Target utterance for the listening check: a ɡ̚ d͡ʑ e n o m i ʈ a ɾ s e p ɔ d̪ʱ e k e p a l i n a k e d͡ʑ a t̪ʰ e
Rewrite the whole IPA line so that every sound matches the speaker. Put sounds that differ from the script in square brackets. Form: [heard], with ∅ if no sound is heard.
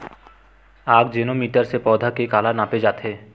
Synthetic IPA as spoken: a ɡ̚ d͡ʑ e n o m i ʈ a ɾ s e p ɔ d̪ʱ [a] k e [k] a l [a] n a [p] e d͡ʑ a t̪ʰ e